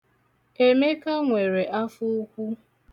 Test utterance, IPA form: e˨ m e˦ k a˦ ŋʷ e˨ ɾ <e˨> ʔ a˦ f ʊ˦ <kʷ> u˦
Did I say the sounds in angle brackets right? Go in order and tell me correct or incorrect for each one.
correct, correct

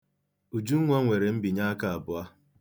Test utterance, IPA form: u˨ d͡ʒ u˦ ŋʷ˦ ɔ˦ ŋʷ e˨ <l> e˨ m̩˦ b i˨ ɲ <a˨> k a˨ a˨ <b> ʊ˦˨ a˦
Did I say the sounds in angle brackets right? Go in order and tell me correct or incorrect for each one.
incorrect: ɾ, incorrect: a˦, correct

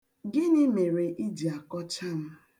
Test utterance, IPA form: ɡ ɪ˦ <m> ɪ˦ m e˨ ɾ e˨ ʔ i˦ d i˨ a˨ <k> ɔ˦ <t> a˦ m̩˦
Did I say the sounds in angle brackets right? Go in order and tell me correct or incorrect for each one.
incorrect: n, correct, incorrect: t͡ʃ

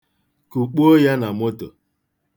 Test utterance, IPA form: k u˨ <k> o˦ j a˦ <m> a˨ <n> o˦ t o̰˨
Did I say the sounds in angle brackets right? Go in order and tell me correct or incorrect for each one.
incorrect: k͡p, incorrect: n, incorrect: m

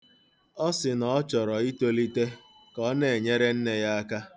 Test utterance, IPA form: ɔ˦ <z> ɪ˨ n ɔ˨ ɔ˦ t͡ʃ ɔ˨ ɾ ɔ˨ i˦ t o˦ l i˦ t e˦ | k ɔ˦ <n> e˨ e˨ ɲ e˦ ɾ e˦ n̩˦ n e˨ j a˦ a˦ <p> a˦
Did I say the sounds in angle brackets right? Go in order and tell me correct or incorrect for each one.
incorrect: s, correct, incorrect: k

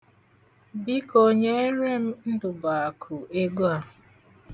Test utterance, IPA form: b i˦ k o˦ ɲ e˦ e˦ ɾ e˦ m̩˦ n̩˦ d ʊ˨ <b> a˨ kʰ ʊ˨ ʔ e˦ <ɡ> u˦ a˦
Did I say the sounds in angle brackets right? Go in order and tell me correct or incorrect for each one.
correct, correct

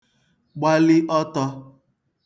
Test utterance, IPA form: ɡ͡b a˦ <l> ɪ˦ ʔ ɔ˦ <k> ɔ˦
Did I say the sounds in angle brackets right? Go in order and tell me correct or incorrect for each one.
correct, incorrect: t

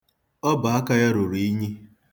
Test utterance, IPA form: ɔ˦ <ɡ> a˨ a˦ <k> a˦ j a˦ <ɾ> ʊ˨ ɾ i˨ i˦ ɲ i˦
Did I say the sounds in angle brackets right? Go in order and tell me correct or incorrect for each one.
incorrect: b, correct, correct

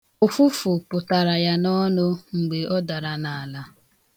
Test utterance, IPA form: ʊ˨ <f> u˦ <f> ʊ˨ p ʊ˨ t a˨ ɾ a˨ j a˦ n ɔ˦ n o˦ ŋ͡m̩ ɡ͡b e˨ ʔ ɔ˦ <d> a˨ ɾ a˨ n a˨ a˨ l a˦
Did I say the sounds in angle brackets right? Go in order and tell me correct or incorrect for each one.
correct, correct, correct

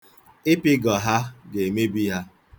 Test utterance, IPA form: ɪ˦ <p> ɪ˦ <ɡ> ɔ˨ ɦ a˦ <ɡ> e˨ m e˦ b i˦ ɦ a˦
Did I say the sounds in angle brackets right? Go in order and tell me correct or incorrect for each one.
correct, correct, correct

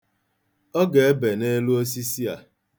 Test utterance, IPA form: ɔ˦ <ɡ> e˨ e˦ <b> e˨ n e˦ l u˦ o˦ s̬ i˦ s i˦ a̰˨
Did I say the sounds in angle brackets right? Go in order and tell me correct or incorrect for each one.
correct, correct

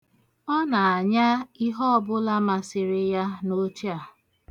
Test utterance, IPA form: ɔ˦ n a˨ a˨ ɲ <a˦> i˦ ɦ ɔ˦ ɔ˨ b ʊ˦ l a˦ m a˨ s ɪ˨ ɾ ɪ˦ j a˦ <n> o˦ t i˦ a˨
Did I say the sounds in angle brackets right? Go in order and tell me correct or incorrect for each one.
correct, correct

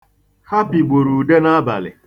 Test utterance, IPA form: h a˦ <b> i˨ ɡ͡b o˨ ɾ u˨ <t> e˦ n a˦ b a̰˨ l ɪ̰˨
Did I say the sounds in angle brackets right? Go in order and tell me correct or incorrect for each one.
incorrect: p, incorrect: d

